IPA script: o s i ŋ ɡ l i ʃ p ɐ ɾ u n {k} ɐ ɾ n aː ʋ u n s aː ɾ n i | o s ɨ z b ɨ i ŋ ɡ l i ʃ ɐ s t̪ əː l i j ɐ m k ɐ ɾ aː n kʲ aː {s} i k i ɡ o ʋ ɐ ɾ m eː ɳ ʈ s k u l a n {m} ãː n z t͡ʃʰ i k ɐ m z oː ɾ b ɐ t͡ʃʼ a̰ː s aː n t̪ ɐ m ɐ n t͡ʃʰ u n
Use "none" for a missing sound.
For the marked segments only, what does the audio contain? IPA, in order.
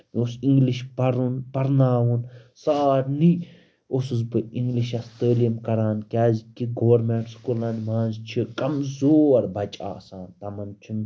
p, z, m

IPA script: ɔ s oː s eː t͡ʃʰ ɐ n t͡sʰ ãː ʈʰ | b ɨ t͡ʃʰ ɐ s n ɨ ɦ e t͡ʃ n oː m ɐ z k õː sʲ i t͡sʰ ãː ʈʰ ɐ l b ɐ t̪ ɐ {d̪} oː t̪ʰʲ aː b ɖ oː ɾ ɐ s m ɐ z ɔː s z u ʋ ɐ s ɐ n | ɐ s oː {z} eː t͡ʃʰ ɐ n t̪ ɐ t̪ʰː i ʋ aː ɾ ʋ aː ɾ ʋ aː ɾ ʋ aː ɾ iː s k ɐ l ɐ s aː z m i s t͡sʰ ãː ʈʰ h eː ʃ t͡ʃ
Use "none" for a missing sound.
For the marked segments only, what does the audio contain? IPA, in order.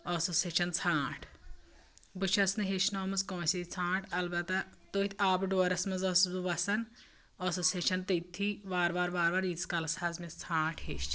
t̪, s

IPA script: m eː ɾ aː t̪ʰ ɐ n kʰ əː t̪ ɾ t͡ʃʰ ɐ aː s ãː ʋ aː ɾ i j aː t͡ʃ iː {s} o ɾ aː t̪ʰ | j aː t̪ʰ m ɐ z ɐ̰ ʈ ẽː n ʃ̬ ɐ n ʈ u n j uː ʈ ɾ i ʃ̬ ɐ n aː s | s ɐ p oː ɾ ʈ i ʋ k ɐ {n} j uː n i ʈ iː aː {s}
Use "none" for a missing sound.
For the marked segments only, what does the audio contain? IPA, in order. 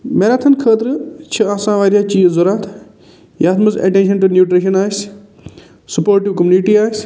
z, m, s

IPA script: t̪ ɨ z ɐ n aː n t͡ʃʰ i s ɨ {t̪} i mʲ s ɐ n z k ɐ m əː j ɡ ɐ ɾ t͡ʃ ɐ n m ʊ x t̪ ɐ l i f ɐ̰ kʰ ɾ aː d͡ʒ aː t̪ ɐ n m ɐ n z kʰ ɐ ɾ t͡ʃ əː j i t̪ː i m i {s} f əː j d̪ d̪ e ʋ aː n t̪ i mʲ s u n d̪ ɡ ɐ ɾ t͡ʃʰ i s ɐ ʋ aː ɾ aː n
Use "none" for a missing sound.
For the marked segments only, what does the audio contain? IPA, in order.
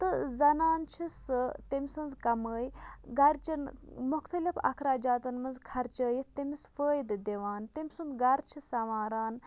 t̪, s

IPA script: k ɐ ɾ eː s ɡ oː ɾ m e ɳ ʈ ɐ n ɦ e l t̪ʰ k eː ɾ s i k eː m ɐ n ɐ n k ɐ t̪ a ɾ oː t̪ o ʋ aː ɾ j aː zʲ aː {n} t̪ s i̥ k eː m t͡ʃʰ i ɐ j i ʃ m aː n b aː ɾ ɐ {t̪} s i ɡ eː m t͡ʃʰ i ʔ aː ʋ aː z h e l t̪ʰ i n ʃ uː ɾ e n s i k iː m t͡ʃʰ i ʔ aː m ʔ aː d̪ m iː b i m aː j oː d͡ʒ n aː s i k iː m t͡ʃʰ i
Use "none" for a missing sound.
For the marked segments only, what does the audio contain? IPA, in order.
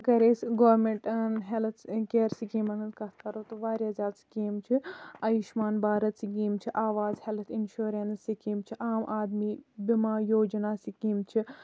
none, t̪

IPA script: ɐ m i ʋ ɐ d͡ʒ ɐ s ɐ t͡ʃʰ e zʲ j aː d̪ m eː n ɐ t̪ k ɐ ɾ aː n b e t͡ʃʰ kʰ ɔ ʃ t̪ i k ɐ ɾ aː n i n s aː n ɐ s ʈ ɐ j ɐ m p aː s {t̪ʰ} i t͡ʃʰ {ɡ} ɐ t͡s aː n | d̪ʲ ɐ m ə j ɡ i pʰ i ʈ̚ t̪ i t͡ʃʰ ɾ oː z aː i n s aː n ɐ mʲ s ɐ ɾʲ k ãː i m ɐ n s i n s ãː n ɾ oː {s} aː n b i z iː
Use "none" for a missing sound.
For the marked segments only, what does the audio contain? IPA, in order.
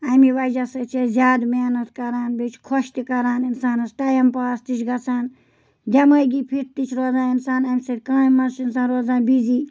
t̪, ɡ, z

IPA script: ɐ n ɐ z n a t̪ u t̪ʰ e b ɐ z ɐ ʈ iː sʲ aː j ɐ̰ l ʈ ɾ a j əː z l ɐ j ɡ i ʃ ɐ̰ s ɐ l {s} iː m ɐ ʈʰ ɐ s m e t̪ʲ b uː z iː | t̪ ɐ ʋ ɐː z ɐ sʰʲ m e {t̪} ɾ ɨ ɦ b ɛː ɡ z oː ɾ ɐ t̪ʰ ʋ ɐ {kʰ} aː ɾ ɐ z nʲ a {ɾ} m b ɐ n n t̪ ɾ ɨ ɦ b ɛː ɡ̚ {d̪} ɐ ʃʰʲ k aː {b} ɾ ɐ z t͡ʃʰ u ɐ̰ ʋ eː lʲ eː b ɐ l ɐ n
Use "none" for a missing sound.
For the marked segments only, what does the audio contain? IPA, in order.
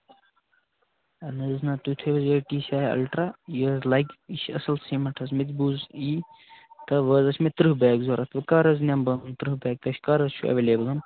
s, t̪, k, none, t̪, none

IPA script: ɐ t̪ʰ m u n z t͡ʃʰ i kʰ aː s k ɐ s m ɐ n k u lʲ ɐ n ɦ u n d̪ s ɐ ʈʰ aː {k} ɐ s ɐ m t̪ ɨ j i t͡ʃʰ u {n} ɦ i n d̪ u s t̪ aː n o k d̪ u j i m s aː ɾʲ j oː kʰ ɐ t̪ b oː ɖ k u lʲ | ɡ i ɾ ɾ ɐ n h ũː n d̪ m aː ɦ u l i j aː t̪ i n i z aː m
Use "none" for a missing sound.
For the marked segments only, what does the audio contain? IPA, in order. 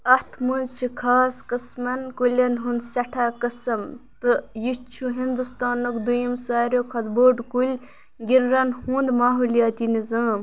k, none

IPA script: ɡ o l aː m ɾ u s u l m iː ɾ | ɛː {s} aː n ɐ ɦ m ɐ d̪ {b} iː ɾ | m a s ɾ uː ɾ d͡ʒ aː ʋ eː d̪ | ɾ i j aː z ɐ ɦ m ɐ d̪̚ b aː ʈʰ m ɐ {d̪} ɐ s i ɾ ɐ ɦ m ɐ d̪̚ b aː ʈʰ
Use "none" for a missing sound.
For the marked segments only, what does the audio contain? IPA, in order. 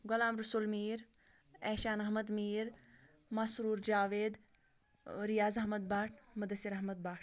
ʃ, m, d̪

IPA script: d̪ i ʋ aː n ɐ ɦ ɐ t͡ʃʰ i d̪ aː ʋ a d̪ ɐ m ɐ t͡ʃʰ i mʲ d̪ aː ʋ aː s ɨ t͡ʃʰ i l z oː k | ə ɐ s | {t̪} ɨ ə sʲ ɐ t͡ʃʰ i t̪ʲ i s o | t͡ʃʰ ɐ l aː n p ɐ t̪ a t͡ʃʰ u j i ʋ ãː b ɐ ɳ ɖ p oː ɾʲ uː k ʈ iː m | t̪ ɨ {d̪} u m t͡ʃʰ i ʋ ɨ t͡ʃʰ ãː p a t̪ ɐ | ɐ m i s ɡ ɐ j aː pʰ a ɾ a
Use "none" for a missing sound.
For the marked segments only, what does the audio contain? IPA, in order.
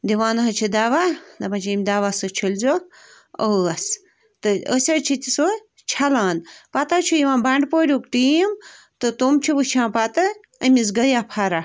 t̪, t̪

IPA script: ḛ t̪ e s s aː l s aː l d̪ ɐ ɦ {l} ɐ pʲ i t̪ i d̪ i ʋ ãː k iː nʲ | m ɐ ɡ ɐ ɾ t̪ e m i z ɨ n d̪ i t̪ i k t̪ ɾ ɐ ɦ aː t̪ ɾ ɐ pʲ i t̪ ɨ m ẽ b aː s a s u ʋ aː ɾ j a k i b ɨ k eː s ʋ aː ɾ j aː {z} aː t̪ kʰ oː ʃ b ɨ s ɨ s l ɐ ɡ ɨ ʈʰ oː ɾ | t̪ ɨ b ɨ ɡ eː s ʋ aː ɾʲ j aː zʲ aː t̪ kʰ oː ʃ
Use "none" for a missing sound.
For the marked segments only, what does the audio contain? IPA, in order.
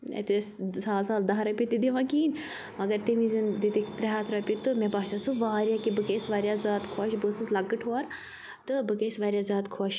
ɾ, z

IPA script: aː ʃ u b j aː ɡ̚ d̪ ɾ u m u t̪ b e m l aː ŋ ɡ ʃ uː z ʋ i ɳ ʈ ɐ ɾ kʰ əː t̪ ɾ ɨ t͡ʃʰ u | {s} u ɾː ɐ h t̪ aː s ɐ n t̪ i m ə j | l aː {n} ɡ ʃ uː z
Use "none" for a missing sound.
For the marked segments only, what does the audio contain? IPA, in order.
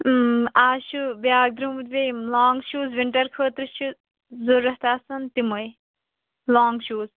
z, ŋ

